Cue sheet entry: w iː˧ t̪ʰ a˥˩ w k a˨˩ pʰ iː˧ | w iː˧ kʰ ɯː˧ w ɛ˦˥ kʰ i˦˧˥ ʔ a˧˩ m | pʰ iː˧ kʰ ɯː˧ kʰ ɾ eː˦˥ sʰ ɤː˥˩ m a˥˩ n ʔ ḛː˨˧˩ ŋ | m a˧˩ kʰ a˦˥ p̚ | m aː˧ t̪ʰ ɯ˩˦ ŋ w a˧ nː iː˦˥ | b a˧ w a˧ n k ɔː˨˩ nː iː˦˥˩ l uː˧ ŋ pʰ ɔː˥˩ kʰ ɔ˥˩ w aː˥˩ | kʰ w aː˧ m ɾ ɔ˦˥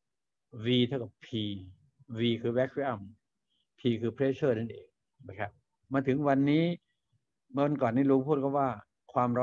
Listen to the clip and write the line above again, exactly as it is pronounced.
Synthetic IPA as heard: w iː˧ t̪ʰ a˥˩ w k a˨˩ pʰ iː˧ | w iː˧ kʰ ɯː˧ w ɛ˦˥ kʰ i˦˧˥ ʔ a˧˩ m | pʰ iː˧ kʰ ɯː˧ pʰ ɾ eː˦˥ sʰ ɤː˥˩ n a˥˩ n ʔ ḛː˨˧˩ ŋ | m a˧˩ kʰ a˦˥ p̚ | m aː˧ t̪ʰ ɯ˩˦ ŋ w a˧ nː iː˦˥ | m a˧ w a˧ n k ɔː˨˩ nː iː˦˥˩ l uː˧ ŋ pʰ uː˥˩ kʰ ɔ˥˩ w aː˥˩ | kʰ w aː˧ m ɾ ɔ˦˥